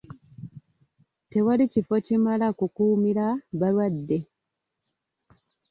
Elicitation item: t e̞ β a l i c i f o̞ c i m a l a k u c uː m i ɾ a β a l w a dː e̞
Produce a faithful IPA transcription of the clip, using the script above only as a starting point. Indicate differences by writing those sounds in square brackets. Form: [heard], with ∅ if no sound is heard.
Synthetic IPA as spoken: t e̞ [w] a l i c i f o̞ c i m a l a k u [k] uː m i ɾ a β a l w a dː e̞